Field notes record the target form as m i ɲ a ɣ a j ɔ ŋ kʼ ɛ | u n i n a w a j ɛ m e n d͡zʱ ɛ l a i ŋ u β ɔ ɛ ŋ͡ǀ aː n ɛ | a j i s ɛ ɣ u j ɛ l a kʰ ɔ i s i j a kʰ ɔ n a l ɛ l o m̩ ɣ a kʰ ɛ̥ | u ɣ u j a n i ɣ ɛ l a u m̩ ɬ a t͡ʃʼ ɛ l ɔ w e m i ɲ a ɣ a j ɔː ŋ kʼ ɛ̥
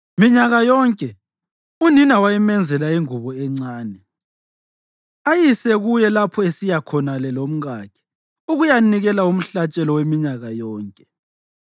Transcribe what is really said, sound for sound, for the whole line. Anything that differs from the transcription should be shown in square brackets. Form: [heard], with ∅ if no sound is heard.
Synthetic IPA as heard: m i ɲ a ɣ a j ɔ ŋ kʼ ɛ | u n i n a w a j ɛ m [ɛ] n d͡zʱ ɛ l a i ŋ u β ɔ ɛ ŋ͡ǀ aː n ɛ | a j i s ɛ ɣ u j ɛ l a [pʰ] ɔ [e] s i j a kʰ ɔ n a l ɛ l o m̩ ɣ a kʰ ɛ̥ | u ɣ u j a n i ɣ ɛ l a u m̩ ɬ a t͡ʃʼ ɛ l ɔ w e m i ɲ a ɣ a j ɔː ŋ kʼ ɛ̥